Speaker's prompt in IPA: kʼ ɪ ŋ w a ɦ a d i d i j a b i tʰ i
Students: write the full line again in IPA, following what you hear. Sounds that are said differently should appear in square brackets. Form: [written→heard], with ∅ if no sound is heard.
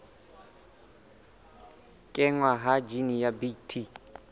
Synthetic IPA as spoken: kʼ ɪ ŋ w a ɦ a [d→d͡ʒ] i [d→n] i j a b i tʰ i